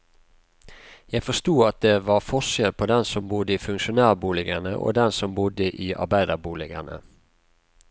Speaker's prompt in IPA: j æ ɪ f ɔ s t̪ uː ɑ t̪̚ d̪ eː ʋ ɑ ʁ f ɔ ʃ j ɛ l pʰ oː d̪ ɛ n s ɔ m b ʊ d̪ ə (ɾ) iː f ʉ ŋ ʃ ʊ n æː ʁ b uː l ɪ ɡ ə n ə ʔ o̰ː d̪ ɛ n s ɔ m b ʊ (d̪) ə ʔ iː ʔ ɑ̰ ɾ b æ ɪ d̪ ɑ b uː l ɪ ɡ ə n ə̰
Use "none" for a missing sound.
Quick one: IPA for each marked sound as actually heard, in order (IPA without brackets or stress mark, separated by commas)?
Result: none, d̪